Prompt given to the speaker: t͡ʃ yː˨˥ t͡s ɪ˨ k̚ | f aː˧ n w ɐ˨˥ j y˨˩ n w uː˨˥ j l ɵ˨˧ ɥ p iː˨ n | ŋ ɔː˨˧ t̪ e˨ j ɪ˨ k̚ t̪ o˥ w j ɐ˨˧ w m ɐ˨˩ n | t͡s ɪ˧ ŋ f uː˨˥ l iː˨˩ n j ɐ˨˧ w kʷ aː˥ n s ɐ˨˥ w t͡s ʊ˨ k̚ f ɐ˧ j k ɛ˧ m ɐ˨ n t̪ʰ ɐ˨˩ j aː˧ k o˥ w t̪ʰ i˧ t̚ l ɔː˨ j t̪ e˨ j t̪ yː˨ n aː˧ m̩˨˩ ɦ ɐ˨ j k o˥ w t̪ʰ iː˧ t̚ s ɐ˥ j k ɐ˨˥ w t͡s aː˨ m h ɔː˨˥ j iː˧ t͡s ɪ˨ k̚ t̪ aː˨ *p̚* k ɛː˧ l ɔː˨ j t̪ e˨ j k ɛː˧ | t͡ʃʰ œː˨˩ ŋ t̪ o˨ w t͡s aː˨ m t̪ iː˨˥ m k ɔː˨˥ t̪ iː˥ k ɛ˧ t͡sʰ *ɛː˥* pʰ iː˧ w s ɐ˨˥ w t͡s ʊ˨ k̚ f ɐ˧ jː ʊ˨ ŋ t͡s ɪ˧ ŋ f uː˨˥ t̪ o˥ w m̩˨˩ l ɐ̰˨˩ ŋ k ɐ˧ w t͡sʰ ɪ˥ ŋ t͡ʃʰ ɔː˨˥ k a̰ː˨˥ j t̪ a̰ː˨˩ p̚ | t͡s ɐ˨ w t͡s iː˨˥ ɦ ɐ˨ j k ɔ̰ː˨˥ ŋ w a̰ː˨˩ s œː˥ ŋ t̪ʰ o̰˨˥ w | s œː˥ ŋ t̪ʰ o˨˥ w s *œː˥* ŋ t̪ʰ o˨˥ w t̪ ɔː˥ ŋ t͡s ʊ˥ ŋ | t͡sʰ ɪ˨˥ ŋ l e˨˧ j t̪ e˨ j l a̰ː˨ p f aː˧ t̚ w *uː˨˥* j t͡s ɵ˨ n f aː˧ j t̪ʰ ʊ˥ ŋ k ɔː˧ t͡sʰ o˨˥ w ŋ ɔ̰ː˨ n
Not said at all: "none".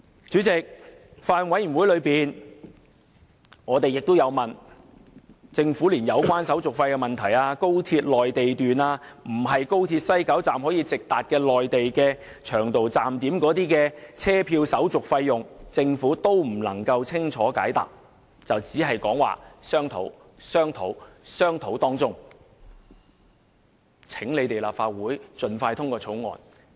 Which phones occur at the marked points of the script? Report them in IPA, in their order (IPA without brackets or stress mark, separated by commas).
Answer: t̚, ɛː˥, œː˥, uː˨˥